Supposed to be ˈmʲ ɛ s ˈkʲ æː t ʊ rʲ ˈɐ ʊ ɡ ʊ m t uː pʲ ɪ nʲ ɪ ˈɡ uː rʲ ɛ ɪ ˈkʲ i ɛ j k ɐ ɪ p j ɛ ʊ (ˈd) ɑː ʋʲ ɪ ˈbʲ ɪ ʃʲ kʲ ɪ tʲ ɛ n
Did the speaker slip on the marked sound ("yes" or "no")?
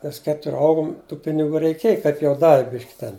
no